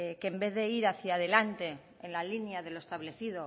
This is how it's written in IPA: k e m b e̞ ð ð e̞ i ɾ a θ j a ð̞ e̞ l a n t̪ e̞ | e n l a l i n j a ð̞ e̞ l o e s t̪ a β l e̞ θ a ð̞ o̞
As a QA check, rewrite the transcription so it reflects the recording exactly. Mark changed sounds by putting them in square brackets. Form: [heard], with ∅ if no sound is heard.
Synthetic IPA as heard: k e m b e̞ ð ð e̞ i ɾ a θ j a ð̞ e̞ l a n t̪ e̞ | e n l a l i n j a ð̞ e̞ l o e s t̪ a β l e̞ θ [i] ð̞ o̞